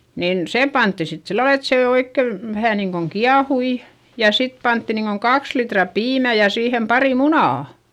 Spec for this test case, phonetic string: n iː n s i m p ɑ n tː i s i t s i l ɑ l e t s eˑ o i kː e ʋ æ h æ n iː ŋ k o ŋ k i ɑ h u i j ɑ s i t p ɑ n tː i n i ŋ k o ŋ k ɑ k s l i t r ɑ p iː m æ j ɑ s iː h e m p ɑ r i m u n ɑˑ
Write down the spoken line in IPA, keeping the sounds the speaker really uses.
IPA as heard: n iː n s e m p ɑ n tː i s i t s i lː ɑ l e t s eˑ o i kː e ʋ æ h æ n iː ŋ k o ŋ k i ɑ h u i j ɑ s i t p ɑ n tː i n iː ŋ k o ŋ k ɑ k s l i t r ɑ p iː m æ j ɑ s iː h e m p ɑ r i m u n ɑˑ